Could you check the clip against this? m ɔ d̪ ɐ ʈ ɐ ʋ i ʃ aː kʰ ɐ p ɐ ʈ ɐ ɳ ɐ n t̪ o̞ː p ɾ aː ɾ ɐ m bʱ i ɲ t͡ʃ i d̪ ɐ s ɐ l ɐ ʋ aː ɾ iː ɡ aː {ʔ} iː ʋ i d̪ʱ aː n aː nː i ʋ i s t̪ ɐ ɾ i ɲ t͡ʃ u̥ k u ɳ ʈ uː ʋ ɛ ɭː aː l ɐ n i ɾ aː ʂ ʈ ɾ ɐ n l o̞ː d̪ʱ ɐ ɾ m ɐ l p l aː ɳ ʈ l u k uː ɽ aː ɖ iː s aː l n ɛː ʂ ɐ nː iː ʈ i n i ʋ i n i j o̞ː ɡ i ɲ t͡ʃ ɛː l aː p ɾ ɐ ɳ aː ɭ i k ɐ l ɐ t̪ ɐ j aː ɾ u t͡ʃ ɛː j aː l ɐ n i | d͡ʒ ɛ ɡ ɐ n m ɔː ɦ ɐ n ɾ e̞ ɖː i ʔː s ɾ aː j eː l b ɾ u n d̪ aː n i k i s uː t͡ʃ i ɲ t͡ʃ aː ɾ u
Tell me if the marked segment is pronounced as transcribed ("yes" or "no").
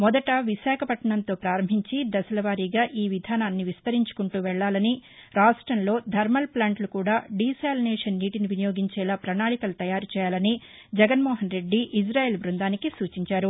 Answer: yes